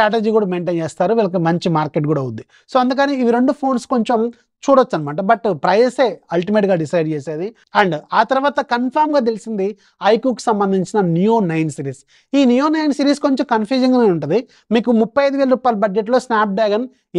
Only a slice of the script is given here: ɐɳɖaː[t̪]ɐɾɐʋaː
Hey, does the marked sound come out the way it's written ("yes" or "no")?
yes